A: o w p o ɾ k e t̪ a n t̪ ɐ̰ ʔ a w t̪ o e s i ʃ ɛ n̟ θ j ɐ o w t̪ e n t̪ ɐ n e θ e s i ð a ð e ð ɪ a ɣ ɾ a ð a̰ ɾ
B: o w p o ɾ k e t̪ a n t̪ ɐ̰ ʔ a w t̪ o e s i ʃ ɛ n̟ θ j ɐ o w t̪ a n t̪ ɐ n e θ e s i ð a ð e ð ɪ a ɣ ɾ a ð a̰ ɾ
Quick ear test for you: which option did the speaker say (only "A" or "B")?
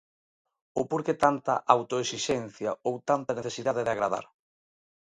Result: B